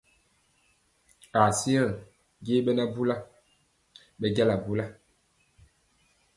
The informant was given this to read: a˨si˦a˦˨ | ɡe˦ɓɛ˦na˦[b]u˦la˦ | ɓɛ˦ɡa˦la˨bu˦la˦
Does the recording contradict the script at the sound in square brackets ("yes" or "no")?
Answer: no